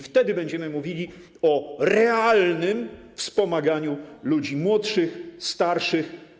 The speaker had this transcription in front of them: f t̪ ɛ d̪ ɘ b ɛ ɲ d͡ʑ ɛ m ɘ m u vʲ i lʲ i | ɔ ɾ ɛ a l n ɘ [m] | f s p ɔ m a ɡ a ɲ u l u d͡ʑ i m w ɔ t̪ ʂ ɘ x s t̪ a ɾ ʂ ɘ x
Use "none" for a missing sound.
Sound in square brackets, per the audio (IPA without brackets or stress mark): m